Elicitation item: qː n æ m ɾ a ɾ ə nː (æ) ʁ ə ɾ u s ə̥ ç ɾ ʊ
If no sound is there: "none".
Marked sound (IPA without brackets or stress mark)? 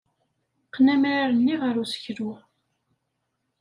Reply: i